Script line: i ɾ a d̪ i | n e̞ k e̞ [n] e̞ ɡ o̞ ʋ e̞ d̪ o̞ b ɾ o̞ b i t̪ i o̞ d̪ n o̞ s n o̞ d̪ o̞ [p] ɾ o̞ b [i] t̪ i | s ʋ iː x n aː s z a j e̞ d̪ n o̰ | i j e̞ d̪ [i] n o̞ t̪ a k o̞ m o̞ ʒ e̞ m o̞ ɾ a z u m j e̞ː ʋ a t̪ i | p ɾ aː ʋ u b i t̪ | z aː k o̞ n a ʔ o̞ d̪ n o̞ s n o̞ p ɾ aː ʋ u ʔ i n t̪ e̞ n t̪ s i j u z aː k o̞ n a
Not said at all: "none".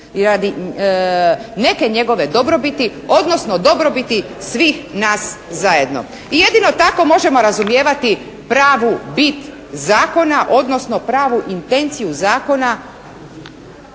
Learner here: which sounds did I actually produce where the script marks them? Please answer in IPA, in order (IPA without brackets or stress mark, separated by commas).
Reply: ɲ, b, i, i